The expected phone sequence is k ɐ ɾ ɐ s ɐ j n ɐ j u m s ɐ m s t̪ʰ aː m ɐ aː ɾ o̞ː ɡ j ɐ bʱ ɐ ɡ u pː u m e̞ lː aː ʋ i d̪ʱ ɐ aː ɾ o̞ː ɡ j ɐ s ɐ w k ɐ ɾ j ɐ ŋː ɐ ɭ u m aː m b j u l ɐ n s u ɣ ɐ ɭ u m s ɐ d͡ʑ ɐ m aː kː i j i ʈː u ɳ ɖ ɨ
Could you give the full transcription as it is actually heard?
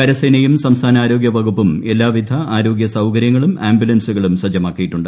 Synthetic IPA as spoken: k ɐ ɾ ɐ s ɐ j n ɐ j u m s ɐ m s t̪ʰ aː n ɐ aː ɾ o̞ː ɡ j ɐ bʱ ɐ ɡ u pː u m e̞ lː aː ʋ i d̪ʱ ɐ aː ɾ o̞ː ɡ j ɐ s ɐ w k ɐ ɾ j ɐ ŋː ɐ ɭ u m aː m b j u l ɐ n s u ɣ ɐ ɭ u m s ɐ d͡ʑ ɐ m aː kː i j i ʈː u ɳ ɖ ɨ